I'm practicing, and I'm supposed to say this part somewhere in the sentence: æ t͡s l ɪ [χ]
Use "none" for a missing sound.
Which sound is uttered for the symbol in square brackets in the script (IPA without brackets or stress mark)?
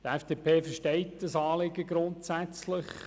χ